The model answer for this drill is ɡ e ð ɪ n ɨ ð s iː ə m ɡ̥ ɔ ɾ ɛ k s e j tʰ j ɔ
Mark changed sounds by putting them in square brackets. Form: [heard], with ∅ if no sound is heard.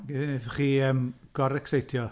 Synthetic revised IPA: ɡ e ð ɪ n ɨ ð [χ] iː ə m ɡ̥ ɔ ɾ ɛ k s e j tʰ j ɔ